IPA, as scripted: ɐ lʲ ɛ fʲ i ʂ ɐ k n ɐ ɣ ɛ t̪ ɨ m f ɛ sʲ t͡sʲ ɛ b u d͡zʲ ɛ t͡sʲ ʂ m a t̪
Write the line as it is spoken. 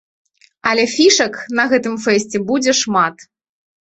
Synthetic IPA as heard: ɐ lʲ ɛ fʲ i ʂ ɐ k n ɐ ɣ ɛ t̪ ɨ m f ɛ sʲ t͡sʲ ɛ b u d͡zʲ ɛ ʂ m a t̪